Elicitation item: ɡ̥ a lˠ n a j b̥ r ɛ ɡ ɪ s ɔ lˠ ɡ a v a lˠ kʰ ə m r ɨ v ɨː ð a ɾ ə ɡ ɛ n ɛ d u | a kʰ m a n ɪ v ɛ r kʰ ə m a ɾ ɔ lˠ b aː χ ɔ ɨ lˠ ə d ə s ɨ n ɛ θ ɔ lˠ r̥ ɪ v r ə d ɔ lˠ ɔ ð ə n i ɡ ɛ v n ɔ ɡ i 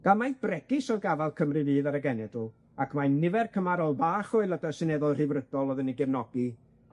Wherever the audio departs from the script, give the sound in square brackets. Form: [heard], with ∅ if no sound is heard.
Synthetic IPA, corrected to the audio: ɡ̥ a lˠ [m] a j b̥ r ɛ ɡ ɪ s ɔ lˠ ɡ a v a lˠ kʰ ə m r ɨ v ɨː ð a ɾ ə ɡ ɛ n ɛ d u | a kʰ m a n ɪ v ɛ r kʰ ə m a ɾ ɔ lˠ b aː χ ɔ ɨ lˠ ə d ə s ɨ n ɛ [ð] ɔ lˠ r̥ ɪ v r ə d ɔ lˠ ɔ ð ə n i ɡ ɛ v n ɔ ɡ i

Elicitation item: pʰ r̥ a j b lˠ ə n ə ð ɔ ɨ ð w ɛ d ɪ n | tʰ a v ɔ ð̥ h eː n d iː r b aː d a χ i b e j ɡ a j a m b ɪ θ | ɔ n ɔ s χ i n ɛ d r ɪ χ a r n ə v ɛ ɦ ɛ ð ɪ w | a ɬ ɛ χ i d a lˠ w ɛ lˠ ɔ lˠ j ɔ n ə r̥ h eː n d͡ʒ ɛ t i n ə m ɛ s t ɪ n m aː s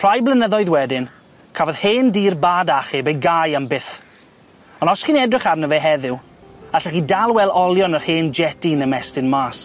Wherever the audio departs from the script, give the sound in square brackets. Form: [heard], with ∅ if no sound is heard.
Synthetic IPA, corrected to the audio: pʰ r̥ a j b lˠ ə n ə ð ɔ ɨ ð w ɛ d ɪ n | [kʰ] a v ɔ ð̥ h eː n d iː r b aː d a χ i b e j ɡ a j a m b ɪ θ | ɔ n ɔ s χ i n ɛ d r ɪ χ a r n ə v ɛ ɦ ɛ ð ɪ w | a ɬ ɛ χ i d a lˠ w ɛ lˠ ɔ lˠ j ɔ n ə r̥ h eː n d͡ʒ ɛ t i n ə m ɛ s t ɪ n m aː s

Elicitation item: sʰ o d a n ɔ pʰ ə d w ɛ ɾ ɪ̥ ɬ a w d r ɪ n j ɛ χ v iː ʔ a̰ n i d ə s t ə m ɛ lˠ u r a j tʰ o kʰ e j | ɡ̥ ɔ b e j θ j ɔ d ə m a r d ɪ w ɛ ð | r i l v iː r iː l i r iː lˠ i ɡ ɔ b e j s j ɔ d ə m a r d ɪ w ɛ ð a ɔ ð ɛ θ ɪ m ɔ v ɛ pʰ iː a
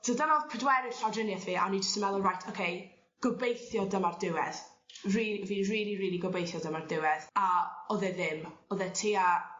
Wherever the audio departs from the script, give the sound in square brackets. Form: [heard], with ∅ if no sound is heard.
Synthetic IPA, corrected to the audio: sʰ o d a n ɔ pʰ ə d w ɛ ɾ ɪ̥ ɬ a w d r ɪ n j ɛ [θ] v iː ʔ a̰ n i [d͡ʒ] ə s t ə m ɛ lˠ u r a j tʰ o kʰ e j | ɡ̥ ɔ b e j θ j ɔ d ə m a r d ɪ w ɛ ð | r i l v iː r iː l i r iː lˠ i ɡ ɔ b e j [θ] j ɔ d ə m a r d ɪ w ɛ ð a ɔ ð ɛ [ð] ɪ m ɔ [ð] ɛ [tʰ] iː a

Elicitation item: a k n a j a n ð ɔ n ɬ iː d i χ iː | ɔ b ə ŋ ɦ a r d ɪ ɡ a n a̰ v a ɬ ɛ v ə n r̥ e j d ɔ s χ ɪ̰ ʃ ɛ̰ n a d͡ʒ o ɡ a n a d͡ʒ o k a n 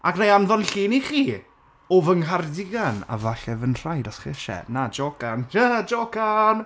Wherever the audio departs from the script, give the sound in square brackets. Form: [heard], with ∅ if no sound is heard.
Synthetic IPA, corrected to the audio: a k n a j a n ð ɔ n ɬ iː [n] i χ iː | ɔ [v] ə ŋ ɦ a r d ɪ ɡ a n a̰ v a ɬ ɛ v ə n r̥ [a] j d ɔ s χ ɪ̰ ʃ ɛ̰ n a d͡ʒ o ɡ a n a d͡ʒ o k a n

